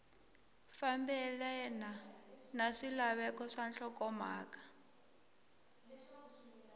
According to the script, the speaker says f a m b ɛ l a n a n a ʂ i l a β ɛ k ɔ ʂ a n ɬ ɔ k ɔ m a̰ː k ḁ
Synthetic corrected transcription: f a m b ɛ l ɛ n a n a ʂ i l a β ɛ k ɔ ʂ a n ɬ ɔ k ɔ m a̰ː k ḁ